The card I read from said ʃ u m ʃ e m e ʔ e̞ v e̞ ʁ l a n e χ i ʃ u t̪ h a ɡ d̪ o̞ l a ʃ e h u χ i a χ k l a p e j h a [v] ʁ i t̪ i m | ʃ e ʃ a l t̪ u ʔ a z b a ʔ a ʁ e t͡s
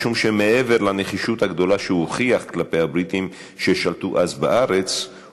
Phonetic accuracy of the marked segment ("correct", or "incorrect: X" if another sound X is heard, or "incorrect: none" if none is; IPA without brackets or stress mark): incorrect: b